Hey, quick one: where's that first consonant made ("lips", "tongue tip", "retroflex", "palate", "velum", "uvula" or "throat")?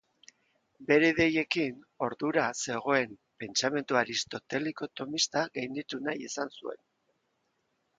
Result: lips